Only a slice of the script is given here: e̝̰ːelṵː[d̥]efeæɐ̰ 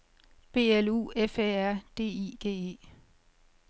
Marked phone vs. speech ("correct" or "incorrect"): incorrect